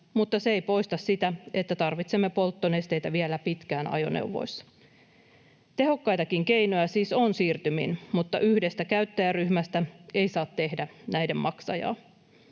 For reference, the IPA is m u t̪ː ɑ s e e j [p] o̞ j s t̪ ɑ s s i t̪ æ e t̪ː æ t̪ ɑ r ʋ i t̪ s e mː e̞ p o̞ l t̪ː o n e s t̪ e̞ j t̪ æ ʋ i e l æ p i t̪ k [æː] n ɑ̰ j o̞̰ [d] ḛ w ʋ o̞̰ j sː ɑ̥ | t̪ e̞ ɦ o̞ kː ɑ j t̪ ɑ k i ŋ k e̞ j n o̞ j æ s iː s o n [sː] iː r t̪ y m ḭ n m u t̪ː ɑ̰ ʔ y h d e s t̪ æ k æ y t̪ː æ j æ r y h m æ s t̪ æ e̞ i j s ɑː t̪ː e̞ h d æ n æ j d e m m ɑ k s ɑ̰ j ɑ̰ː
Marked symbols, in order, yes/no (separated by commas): yes, yes, no, no